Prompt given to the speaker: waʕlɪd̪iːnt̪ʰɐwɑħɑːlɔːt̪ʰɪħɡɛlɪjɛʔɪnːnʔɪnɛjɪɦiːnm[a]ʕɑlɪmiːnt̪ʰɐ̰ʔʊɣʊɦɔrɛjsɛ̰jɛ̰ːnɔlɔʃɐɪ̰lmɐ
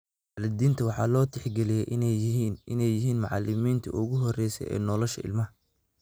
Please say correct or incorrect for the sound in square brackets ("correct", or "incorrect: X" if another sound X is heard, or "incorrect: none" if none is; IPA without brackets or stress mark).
incorrect: ɑ